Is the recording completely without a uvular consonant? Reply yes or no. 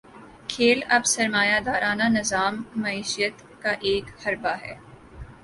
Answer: yes